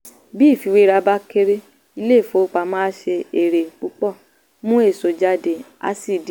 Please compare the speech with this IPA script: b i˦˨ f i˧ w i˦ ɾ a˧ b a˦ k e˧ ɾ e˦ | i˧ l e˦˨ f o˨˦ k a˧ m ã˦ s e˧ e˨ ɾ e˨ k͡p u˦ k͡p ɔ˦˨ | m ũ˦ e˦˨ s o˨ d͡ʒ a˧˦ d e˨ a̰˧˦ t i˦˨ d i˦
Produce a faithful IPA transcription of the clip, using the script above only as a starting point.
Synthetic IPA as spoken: b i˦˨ f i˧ w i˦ ɾ a˧ b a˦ k e˧ ɾ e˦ | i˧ l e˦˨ f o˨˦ k͡p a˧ m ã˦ ʃ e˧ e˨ ɾ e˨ k͡p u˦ k͡p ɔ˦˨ | m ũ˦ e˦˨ s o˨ d͡ʒ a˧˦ d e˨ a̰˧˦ s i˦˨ d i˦